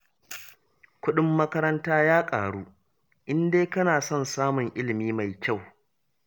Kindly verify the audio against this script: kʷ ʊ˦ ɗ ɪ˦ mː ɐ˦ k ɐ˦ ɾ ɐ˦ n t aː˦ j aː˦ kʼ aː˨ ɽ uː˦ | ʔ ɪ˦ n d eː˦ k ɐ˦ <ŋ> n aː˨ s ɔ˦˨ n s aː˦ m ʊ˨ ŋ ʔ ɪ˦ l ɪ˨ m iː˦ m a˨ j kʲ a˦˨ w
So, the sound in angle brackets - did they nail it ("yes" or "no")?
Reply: no